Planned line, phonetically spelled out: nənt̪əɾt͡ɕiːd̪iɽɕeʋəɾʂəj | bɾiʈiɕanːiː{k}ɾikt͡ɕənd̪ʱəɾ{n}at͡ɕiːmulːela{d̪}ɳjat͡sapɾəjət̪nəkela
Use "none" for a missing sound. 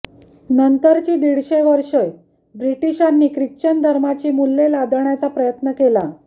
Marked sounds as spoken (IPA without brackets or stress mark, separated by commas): k, m, d̪